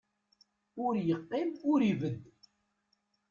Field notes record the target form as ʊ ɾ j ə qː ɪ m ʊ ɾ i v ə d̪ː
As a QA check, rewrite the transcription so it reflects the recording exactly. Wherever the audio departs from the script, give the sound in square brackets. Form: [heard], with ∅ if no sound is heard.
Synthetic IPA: ʊ ɾ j ə qː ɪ m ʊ ɾ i v ə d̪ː